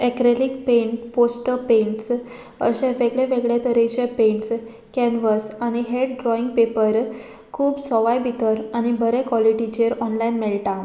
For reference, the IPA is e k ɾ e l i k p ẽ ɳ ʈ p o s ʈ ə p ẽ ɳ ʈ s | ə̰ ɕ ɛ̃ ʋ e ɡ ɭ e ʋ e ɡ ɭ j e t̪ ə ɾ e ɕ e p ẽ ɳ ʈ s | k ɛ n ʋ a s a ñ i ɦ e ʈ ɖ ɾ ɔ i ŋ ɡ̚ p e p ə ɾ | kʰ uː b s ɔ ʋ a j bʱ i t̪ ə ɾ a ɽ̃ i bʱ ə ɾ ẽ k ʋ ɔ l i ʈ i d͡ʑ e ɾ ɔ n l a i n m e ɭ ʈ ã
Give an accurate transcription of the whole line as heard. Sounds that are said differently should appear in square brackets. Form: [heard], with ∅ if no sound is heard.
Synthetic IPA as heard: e k ɾ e l i k p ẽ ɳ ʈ p o s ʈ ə p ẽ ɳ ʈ s | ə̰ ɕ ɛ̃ ʋ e ɡ ɭ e ʋ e ɡ ɭ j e t̪ ə ɾ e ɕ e p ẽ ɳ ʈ s | k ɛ n ʋ [ə] s a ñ i ɦ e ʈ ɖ ɾ ɔ i ŋ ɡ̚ p e p ə ɾ | kʰ uː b s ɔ ʋ a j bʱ i t̪ ə ɾ a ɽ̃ i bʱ ə ɾ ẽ k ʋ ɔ l i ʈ i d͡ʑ e ɾ ɔ n l a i n m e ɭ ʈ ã